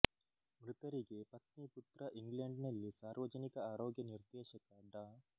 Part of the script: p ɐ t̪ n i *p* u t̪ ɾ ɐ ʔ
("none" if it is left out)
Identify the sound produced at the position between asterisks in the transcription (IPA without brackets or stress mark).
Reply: p